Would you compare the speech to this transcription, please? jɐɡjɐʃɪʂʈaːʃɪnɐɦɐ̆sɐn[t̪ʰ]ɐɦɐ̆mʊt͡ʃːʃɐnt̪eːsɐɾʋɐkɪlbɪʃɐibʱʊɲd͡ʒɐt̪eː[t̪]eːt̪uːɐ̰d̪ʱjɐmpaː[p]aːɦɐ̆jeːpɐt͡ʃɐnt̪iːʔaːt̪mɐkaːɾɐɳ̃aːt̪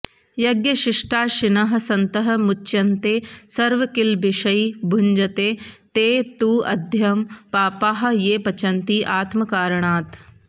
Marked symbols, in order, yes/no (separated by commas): no, yes, yes